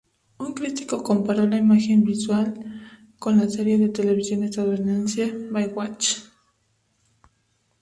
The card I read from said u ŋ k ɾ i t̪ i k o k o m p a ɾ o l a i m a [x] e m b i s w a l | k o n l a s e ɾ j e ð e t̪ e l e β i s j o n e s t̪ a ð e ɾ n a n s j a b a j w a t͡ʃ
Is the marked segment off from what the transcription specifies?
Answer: no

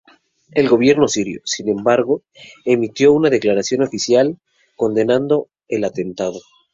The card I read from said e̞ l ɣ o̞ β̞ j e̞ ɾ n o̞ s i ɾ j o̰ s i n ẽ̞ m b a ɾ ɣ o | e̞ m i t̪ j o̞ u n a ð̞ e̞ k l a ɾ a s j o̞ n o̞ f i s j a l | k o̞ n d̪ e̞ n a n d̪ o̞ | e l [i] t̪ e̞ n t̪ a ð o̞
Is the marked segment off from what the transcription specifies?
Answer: yes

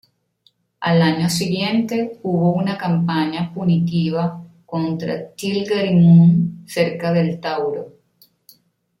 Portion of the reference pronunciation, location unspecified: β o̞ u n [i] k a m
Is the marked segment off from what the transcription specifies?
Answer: yes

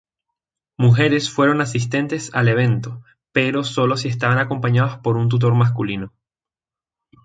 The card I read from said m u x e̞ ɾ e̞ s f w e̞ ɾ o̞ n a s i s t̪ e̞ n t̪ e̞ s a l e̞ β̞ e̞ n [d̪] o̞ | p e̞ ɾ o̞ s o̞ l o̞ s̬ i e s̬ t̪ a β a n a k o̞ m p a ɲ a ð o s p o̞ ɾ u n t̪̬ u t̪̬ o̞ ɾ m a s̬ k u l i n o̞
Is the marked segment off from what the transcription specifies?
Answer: yes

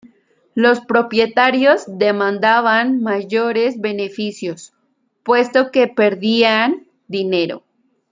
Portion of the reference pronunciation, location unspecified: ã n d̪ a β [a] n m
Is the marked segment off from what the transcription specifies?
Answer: no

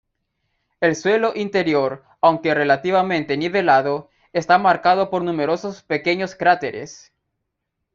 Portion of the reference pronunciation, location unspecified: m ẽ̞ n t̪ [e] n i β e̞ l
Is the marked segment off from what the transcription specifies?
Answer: no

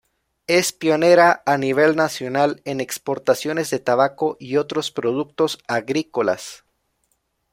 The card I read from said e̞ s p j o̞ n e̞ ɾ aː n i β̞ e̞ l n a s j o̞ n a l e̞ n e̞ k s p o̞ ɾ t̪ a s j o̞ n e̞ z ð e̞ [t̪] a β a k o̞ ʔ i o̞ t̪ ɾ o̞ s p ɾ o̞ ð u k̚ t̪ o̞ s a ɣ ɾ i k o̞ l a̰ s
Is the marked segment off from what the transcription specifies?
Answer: no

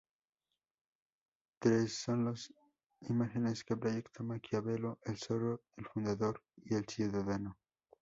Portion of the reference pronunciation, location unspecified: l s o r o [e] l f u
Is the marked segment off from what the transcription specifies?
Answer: no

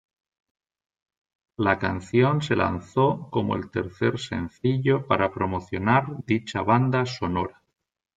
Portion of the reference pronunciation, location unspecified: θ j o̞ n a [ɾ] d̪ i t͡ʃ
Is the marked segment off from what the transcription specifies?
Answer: no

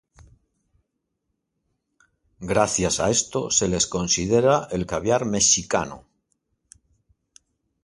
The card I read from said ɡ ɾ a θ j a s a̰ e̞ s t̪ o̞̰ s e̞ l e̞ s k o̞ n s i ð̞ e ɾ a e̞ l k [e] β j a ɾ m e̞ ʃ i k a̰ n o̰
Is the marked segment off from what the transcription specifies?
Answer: yes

